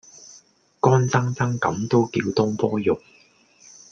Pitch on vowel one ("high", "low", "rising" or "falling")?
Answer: high